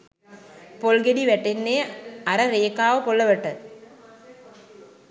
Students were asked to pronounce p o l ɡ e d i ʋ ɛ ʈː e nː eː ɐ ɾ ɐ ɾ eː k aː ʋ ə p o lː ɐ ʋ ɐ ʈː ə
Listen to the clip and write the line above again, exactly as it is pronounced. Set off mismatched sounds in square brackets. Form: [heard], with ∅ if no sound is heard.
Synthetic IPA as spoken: p o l ɡ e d i ʋ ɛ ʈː e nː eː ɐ ɾ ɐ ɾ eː k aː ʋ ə p o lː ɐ ʋ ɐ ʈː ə